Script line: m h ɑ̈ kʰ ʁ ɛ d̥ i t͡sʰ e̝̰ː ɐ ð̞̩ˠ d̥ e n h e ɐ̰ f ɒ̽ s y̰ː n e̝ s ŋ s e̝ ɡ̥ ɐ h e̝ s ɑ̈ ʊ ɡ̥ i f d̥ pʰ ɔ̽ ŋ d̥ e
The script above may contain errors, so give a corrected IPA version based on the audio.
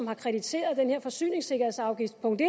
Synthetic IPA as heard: m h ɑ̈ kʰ ʁ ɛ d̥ i t͡sʰ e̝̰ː ɐ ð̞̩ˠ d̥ e n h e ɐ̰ f ɒ̽ s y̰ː n e̝ ŋ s e̝ ɡ̥ ɐ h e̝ s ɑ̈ ʊ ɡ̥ i f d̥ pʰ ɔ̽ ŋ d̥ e